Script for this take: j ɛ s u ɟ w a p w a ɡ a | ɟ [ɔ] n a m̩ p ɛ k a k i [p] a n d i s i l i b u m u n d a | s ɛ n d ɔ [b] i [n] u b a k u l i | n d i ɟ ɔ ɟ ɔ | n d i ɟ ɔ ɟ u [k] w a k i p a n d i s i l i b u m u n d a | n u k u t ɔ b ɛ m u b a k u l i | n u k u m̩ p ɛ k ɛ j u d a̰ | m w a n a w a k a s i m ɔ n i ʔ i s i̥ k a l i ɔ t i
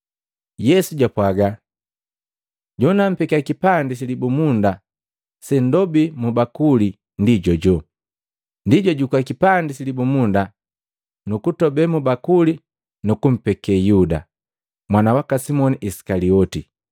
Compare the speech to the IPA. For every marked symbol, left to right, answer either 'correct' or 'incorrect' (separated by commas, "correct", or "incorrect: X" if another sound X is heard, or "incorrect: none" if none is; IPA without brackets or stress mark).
correct, correct, correct, incorrect: m, correct